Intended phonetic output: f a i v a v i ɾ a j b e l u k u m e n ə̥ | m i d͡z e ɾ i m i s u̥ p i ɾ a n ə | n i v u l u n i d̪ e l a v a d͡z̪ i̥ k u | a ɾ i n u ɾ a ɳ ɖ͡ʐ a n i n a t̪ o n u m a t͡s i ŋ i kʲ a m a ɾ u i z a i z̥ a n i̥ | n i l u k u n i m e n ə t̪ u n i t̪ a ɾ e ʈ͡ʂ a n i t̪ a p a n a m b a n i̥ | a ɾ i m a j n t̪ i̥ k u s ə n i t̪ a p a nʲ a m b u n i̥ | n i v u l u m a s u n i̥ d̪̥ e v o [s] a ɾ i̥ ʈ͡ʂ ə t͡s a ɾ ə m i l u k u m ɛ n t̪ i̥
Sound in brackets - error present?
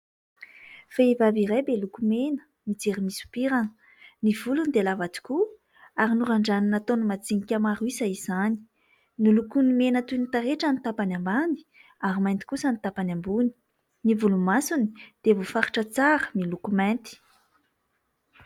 yes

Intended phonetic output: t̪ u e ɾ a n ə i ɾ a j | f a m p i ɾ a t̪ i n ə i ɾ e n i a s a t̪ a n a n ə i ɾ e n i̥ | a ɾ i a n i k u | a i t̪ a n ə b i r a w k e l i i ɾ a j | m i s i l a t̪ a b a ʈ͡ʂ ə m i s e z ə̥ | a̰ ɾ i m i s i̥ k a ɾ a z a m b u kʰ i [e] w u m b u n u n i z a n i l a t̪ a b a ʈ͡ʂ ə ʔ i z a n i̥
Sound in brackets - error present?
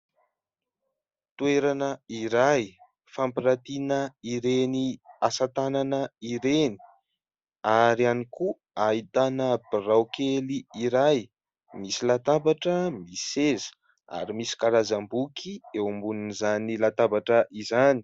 no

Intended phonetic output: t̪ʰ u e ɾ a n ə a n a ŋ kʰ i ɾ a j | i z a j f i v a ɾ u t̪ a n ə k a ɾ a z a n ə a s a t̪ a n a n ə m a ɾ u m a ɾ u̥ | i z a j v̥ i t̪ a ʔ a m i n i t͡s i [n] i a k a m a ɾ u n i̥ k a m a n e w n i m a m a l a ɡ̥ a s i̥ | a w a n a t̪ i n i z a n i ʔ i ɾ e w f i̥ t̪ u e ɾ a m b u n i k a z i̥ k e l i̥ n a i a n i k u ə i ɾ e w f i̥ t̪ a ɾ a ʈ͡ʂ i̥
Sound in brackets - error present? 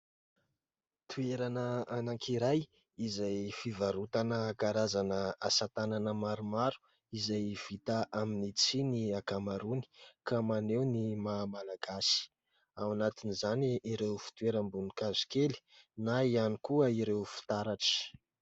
no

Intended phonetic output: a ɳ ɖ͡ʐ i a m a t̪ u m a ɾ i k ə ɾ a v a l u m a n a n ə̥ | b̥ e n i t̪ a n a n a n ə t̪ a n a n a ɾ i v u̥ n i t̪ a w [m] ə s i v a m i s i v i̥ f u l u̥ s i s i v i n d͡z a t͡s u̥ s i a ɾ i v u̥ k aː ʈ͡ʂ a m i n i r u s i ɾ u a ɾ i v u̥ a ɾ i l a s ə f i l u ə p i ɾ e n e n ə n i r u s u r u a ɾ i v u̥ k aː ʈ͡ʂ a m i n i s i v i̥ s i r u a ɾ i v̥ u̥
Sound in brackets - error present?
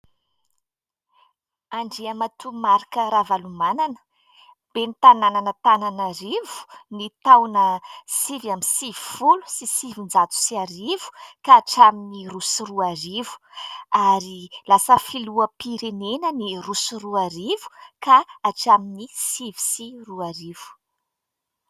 yes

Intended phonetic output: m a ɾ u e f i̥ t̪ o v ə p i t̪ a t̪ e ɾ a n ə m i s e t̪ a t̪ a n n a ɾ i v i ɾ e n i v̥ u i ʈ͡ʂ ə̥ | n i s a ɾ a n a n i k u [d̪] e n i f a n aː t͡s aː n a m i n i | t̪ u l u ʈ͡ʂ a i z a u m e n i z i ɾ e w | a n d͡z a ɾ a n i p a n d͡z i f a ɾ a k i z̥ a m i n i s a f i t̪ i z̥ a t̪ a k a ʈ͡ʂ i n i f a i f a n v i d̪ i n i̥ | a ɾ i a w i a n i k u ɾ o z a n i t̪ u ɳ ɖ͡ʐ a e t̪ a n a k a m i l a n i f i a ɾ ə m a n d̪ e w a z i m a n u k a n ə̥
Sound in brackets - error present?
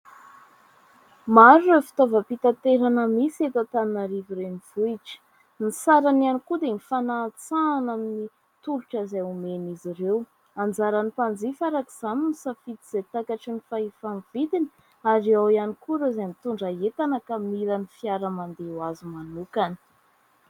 no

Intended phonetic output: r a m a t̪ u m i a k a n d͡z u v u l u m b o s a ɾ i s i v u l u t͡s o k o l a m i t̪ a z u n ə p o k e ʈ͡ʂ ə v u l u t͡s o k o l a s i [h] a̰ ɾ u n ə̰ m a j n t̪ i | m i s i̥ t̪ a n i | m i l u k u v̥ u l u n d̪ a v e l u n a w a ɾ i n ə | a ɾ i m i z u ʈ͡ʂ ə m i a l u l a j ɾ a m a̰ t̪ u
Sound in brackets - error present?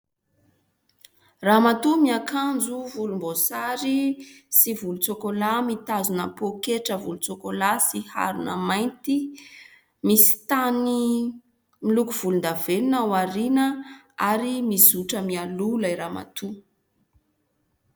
no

